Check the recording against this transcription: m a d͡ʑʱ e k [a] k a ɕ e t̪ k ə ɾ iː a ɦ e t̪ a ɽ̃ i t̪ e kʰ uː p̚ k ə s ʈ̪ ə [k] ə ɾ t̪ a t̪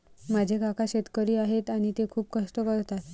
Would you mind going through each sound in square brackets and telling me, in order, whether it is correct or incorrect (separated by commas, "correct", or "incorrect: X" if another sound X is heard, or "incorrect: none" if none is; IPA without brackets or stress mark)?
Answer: correct, correct